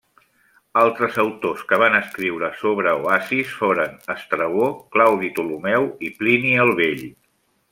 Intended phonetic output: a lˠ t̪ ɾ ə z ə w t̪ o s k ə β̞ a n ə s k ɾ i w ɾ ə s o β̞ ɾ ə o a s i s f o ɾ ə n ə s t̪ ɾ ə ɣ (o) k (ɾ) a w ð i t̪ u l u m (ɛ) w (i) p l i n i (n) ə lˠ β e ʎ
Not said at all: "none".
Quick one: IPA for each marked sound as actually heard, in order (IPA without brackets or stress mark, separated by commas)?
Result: o, l, ɛ, i, none